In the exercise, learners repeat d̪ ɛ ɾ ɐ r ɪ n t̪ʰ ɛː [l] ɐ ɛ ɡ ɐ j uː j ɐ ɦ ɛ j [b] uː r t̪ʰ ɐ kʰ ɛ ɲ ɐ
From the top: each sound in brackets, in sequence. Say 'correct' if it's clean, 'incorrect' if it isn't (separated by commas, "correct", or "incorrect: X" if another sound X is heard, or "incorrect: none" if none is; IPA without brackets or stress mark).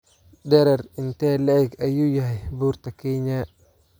correct, correct